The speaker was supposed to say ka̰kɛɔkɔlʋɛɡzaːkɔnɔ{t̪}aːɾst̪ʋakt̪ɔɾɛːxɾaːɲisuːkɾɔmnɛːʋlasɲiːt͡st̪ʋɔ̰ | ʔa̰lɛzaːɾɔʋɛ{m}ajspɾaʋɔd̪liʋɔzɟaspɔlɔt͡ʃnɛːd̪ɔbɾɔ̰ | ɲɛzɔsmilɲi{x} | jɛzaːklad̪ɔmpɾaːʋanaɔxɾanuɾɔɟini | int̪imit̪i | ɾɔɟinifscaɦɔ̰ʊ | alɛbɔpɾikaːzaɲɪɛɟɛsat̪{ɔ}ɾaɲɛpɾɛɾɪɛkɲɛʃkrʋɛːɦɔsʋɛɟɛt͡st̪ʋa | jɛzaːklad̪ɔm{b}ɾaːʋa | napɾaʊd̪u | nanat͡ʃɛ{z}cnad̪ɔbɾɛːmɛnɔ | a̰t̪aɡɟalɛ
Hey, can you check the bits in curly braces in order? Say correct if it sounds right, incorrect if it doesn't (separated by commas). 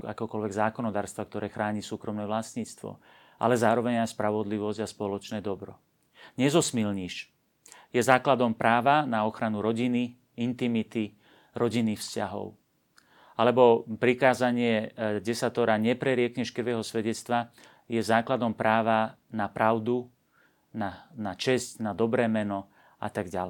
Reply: incorrect, incorrect, incorrect, correct, incorrect, incorrect